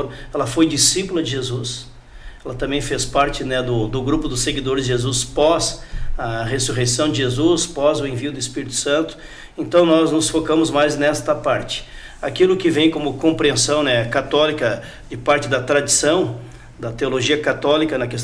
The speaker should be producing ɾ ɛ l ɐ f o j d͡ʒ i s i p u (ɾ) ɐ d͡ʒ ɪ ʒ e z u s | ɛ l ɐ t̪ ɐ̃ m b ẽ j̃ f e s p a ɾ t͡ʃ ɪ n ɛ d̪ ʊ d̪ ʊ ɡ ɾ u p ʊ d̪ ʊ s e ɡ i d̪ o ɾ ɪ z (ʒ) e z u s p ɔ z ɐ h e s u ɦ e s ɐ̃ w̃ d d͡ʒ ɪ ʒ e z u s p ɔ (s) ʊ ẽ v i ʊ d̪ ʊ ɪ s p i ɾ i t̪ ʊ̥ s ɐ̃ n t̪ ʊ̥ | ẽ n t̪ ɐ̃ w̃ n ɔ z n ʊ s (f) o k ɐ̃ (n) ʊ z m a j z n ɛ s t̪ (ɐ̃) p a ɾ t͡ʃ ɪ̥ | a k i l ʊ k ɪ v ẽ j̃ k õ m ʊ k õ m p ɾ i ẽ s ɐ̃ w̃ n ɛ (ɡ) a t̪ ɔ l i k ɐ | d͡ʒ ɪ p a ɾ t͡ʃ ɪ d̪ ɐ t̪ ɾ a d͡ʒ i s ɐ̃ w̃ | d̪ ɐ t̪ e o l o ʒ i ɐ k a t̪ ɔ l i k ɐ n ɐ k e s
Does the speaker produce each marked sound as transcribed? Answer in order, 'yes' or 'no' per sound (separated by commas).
no, yes, no, yes, no, no, no